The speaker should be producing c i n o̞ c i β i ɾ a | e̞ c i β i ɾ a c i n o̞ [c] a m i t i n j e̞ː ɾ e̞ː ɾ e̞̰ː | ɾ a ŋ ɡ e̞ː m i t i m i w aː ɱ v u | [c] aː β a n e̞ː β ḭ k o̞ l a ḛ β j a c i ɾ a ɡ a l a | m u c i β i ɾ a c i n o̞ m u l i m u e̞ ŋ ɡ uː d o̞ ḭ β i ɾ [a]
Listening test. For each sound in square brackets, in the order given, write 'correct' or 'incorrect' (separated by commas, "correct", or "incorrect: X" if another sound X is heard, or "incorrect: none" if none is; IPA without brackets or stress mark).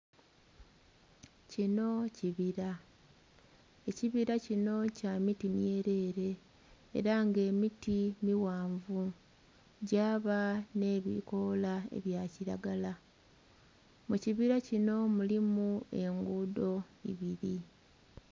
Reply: correct, incorrect: ɟ, incorrect: i